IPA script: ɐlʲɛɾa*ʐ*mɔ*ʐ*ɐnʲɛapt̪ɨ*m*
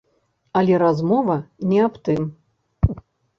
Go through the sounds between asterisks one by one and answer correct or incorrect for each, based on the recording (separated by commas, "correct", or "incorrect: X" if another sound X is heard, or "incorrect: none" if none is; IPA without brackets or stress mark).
incorrect: z, incorrect: v, correct